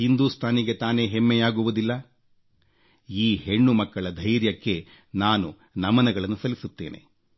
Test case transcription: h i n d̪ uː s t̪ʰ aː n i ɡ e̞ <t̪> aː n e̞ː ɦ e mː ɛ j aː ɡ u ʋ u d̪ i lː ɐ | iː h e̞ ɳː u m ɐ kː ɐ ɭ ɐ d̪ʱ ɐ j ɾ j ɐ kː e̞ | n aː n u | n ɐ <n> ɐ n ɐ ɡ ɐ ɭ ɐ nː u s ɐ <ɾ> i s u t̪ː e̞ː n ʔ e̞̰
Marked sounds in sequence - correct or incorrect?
correct, incorrect: m, incorrect: l

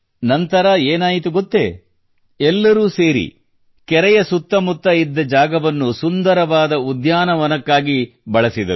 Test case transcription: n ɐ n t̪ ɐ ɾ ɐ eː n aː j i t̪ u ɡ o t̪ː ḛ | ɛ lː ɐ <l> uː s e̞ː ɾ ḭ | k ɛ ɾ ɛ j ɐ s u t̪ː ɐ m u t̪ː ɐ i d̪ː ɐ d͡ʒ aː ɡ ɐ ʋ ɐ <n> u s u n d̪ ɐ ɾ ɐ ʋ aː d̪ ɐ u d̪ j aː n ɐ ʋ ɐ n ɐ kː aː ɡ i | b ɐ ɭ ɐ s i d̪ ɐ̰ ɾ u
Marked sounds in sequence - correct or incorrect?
incorrect: ɾ, incorrect: nː

